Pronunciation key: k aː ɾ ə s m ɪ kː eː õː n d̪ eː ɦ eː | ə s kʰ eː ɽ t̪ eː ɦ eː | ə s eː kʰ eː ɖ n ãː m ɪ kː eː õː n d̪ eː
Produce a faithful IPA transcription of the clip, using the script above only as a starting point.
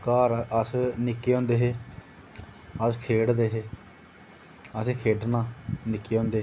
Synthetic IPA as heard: k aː ɾ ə s n ɪ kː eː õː n d̪ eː ɦ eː | ə s kʰ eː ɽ d̪ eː ɦ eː | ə s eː kʰ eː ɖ n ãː n ɪ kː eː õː n d̪ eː